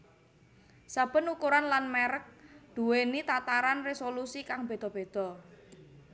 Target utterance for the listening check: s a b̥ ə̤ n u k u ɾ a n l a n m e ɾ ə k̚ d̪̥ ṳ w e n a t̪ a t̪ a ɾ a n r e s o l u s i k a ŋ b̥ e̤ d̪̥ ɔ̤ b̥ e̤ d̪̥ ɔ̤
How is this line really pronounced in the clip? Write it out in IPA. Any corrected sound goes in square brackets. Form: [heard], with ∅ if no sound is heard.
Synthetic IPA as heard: s a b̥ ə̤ n u k u ɾ a n l a n m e ɾ ə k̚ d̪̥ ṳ w e n [i] t̪ a t̪ a ɾ a n r e s o l u s i k a ŋ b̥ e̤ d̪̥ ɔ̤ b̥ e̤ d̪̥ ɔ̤